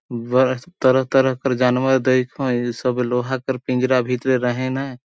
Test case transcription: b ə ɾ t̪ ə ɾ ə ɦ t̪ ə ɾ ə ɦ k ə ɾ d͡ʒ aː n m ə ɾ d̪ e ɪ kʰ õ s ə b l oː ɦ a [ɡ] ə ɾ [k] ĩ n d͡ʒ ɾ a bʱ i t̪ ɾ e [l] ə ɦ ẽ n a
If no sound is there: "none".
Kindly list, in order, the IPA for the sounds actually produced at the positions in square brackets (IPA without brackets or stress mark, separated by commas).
k, p, ɾ